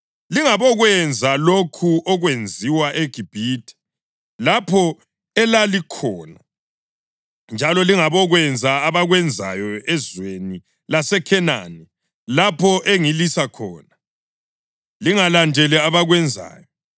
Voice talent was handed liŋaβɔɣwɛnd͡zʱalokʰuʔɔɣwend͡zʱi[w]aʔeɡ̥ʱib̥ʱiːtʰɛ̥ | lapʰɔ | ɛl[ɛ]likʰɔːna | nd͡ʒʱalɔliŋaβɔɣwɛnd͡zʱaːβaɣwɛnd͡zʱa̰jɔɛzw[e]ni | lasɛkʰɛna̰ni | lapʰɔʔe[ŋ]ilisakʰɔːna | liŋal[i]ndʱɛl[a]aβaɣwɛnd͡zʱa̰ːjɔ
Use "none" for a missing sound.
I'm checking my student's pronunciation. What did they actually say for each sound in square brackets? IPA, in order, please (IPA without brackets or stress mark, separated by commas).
w, a, e, ŋ, a, ɛ